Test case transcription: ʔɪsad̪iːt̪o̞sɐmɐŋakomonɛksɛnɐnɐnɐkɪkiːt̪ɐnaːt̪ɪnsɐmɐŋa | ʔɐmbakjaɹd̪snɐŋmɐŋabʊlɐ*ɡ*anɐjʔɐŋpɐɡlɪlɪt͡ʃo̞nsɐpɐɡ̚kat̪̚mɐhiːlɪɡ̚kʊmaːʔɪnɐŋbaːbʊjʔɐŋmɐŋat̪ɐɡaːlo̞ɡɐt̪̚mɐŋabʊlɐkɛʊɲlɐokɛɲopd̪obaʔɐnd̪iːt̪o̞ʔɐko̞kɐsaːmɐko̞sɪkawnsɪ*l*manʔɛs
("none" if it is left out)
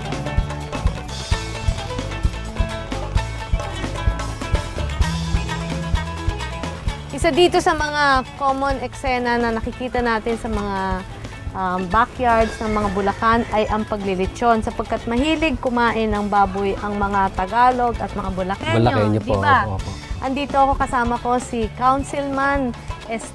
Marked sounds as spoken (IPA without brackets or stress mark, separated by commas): k, l